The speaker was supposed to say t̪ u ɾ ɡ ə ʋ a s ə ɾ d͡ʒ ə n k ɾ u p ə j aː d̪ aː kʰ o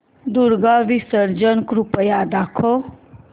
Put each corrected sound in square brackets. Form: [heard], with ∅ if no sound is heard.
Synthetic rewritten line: [d̪] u ɾ ɡ [a] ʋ [i] s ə ɾ d͡ʒ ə n k ɾ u p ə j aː d̪ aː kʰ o